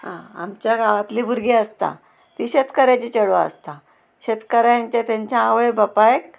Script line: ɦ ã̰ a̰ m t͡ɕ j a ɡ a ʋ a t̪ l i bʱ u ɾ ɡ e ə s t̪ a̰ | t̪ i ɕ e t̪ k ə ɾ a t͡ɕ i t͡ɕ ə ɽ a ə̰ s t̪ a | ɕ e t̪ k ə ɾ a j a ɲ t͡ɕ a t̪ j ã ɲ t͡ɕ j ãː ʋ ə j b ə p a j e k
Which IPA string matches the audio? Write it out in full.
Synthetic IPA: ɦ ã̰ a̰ m t͡ɕ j a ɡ a ʋ a t̪ l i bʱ u ɾ ɡ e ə s t̪ a̰ | t̪ i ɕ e t̪ k ə ɾ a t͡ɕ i t͡ɕ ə ɽ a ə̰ s t̪ a | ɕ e t̪ k ə ɾ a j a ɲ t͡ɕ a t̪ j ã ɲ t͡ɕ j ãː ʋ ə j b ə p a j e k